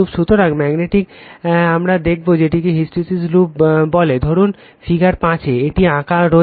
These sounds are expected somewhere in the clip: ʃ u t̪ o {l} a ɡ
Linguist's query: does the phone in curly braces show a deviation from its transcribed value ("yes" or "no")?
yes